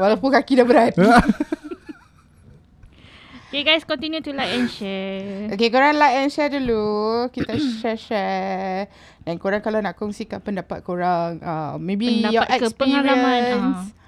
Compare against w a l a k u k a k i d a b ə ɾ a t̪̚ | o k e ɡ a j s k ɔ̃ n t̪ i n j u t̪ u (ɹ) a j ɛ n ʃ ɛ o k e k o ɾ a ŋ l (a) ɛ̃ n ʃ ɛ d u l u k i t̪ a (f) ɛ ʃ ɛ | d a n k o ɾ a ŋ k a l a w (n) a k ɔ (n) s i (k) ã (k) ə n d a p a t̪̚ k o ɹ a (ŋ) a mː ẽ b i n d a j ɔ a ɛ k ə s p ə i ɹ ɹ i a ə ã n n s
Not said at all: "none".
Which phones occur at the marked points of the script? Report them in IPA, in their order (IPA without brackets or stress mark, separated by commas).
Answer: l, a, ʃ, n, ŋ, k, p, ŋ